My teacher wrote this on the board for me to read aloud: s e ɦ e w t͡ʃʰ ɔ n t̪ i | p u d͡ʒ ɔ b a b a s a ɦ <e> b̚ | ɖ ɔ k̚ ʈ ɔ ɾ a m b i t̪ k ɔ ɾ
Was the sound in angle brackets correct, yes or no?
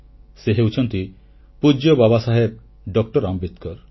yes